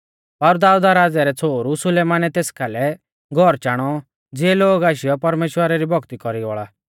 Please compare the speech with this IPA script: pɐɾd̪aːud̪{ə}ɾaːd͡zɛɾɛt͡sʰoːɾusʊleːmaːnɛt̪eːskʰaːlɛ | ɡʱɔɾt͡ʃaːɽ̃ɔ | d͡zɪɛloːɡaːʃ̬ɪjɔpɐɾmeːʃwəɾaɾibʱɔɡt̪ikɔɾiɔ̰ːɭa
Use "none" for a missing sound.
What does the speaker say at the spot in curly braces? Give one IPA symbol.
a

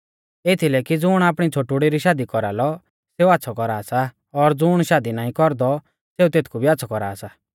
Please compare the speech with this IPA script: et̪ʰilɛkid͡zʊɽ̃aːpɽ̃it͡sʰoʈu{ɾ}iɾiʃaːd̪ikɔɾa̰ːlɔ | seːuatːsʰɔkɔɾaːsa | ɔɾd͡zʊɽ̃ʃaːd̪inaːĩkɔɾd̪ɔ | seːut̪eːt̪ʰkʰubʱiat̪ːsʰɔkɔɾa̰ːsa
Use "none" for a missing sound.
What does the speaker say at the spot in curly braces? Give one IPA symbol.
ɽ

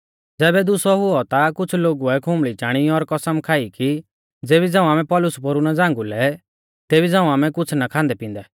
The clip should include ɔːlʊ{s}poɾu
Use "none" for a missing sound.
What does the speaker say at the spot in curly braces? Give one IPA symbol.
s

